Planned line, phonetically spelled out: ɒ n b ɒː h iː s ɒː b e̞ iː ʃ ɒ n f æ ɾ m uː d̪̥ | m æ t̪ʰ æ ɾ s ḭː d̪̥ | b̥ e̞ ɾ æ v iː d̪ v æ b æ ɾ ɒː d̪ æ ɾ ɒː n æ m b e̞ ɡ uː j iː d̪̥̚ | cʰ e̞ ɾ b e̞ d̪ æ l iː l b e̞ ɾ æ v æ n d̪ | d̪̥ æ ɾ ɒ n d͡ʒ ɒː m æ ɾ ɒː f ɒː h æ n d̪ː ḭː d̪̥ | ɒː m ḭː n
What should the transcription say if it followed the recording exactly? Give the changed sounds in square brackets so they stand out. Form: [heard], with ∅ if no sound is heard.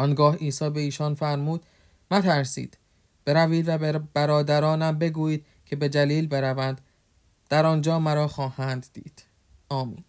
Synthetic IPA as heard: ɒ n [ɡ] ɒː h iː s ɒː b e̞ iː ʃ ɒ n f æ ɾ m uː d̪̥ | m æ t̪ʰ æ ɾ s ḭː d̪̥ | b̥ e̞ ɾ æ v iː d̪ v æ b æ ɾ ɒː d̪ æ ɾ ɒː n æ m b e̞ ɡ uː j iː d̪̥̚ | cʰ e̞ [∅] b e̞ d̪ æ l iː l b e̞ ɾ æ v æ n d̪ | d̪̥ æ ɾ ɒ n d͡ʒ ɒː m æ ɾ ɒː [x] ɒː h æ n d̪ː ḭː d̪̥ | ɒː m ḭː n